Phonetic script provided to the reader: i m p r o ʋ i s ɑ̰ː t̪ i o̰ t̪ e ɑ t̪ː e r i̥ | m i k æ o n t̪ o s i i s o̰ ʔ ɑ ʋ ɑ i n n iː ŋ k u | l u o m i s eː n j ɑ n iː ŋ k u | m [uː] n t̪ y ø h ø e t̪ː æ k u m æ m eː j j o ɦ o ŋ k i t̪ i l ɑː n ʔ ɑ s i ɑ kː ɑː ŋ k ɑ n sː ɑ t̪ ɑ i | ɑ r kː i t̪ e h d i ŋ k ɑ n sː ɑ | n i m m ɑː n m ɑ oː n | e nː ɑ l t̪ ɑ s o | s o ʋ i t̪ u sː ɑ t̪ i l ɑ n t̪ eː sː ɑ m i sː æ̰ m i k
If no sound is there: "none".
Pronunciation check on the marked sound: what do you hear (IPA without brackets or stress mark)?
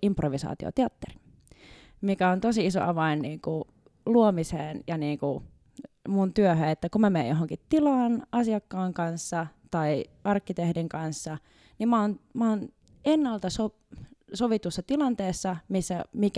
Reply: u